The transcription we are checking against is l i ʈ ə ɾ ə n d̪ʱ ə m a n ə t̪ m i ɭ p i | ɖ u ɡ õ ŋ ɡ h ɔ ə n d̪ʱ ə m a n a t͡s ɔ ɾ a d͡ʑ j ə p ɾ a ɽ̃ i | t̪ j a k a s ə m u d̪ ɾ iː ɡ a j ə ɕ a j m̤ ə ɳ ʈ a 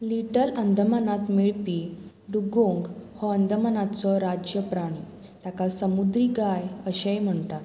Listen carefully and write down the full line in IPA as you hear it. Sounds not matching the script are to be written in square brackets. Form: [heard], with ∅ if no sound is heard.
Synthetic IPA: l i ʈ ə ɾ ə n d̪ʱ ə m a n [a] t̪ m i ɭ p i | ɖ u ɡ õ ŋ ɡ h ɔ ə n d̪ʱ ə m a n a t͡s ɔ ɾ a d͡ʑ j ə p ɾ a ɽ̃ i | t̪ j a k a s ə m u d̪ ɾ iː ɡ a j ə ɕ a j m̤ ə ɳ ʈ a

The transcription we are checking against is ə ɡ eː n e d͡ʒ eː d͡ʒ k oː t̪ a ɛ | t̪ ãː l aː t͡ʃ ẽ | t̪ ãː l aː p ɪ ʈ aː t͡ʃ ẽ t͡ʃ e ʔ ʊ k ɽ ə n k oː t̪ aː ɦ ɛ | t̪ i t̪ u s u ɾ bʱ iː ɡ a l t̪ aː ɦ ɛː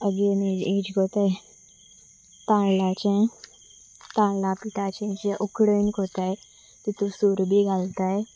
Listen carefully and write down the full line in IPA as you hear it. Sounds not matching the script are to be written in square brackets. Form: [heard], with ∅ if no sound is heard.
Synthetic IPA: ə ɡ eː n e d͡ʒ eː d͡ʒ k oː t̪ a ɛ | t̪ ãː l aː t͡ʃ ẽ | t̪ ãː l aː p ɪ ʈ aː t͡ʃ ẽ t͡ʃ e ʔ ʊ k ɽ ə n k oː t̪ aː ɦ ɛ | t̪ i t̪ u s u ɾ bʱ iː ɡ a l t̪ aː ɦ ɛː

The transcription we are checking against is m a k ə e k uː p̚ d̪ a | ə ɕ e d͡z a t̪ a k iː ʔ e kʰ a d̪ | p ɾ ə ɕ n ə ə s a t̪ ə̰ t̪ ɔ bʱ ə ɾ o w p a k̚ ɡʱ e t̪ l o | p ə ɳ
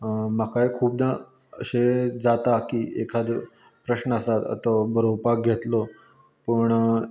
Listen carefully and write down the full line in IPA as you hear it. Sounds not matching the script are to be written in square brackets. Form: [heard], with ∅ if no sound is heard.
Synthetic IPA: m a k [a] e [kʰ] uː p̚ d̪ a | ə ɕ e d͡z a t̪ a k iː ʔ e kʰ a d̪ | p ɾ ə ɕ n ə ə s a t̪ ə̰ t̪ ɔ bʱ ə ɾ o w p a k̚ ɡʱ e t̪ l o | p ə ɳ

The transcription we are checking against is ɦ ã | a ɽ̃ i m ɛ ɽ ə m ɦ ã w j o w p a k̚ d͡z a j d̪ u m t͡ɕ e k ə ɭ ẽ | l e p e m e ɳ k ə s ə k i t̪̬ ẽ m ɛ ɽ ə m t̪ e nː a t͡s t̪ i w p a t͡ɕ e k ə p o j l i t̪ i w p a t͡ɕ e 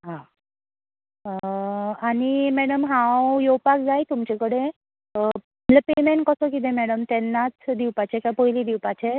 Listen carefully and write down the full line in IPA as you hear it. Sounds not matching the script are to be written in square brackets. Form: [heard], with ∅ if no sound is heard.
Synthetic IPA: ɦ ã | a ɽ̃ i m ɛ ɽ ə m ɦ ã w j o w p a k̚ d͡z a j [t̪] u m t͡ɕ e k ə [ɽ] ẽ | l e p e m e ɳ k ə s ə k i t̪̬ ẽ m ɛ ɽ ə m t̪ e nː a t͡s [d̪] i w p a t͡ɕ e k [a] p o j l i [d̪] i w p a t͡ɕ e

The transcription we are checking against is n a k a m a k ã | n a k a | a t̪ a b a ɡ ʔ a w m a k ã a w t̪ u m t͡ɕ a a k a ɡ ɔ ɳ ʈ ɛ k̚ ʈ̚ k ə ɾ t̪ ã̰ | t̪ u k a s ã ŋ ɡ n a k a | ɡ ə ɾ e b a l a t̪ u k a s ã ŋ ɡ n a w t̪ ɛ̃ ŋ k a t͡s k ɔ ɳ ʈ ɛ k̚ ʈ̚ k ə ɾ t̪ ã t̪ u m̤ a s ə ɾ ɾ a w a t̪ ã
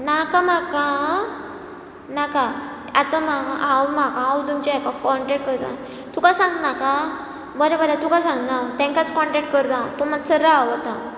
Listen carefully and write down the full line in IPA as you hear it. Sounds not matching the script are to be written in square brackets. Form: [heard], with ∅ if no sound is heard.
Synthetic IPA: n a k a m a k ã | n a k a | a t̪ a [m] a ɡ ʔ a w m a k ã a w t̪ u m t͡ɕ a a k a [k] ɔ ɳ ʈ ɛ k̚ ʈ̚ k ə ɾ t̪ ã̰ | t̪ u k a s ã ŋ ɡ n a k a | [b] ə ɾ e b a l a t̪ u k a s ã ŋ ɡ n a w t̪ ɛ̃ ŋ k a t͡s k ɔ ɳ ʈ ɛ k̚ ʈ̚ k ə ɾ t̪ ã t̪ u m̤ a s ə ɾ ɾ a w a t̪ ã

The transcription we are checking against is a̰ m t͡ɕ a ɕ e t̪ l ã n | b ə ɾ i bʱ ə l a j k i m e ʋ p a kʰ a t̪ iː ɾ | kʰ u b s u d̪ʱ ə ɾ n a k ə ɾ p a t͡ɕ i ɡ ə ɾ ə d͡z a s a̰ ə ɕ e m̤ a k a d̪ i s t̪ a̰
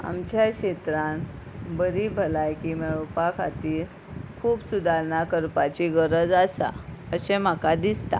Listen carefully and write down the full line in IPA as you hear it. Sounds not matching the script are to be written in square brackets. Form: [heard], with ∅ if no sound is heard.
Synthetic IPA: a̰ m t͡ɕ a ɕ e t̪ [ɾ] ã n | b ə ɾ i bʱ ə l a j k i m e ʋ p a kʰ a t̪ iː ɾ | kʰ [uː] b s u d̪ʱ [a] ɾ n a k ə ɾ p a t͡ɕ i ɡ ə ɾ ə d͡z a s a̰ ə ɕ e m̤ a k a d̪ i s t̪ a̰

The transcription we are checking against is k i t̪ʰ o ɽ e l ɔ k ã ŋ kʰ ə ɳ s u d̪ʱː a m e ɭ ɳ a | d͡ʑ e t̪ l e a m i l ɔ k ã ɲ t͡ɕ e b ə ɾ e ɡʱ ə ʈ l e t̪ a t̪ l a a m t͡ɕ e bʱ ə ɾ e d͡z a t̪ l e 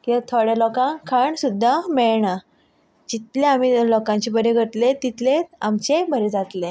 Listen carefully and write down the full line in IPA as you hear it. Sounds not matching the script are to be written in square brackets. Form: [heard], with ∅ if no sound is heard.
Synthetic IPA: k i t̪ʰ o ɽ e l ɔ k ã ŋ kʰ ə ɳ s u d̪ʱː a m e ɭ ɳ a | d͡ʑ [i] t̪ l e a m i l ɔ k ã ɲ t͡ɕ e b ə ɾ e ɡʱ ə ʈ l e t̪ [i] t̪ l [e] a m t͡ɕ e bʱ ə ɾ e d͡z a t̪ l e

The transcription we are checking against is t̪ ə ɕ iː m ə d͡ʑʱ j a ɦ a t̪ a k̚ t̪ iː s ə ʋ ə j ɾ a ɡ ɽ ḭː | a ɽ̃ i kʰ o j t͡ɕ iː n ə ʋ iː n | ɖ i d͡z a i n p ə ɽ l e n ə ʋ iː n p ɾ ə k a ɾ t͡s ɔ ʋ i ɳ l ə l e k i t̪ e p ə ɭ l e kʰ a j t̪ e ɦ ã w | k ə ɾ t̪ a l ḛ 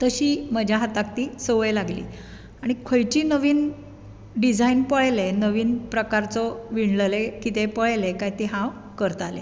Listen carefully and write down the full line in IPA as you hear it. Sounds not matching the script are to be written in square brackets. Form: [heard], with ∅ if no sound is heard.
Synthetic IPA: t̪ ə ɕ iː m ə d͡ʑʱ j a ɦ a t̪ a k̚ t̪ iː s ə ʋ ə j [l] a ɡ [l] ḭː | a ɽ̃ i kʰ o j t͡ɕ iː n ə ʋ iː n | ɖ i d͡z a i n p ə [ɭ] l e n ə ʋ iː n p ɾ ə k a ɾ t͡s ɔ ʋ i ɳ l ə l e k i t̪ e p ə ɭ l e [k] a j t̪ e ɦ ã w | k ə ɾ t̪ a l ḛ

